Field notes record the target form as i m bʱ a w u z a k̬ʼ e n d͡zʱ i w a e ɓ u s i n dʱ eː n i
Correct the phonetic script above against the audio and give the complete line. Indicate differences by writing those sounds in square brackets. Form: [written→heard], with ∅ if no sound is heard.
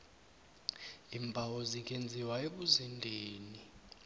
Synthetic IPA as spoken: i m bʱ a w [u→ɔ] z [a→i] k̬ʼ e n d͡zʱ i w a e ɓ u [s→z] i n dʱ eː n i